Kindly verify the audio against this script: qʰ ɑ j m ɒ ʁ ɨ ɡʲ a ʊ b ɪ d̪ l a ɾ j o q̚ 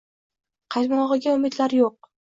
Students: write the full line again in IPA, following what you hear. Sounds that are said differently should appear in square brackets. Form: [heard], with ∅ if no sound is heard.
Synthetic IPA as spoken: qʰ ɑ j m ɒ ʁ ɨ ɡʲ a ʊ [m] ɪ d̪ l a ɾ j o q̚